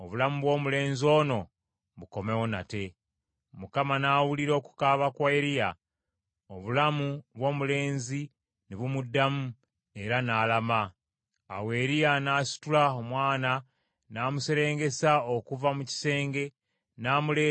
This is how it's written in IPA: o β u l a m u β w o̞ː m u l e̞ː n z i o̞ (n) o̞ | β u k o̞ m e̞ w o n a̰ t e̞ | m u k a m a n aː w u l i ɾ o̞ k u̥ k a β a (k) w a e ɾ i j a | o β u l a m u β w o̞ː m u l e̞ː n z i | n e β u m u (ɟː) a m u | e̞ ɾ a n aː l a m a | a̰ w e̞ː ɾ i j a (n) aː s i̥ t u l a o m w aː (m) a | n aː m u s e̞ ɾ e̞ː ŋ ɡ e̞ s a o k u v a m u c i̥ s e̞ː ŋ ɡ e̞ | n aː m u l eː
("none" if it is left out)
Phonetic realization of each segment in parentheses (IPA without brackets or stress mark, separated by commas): n, k, dː, n, n